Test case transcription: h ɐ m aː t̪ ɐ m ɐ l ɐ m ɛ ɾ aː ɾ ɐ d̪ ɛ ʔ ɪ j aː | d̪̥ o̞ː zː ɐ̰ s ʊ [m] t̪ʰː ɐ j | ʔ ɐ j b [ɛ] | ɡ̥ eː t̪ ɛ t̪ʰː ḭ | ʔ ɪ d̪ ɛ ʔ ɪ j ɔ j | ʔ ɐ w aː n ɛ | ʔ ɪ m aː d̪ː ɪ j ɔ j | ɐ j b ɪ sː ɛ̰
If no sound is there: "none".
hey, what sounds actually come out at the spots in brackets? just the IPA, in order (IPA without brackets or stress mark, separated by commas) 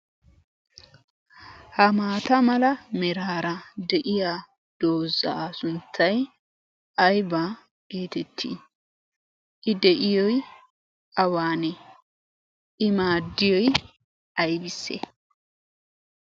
n, a